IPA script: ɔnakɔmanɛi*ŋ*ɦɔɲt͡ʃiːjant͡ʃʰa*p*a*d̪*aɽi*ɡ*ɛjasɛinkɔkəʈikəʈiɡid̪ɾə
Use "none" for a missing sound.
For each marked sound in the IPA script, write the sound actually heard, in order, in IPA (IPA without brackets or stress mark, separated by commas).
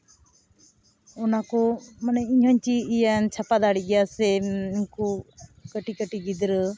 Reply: ɲ, p, d̪, ɡ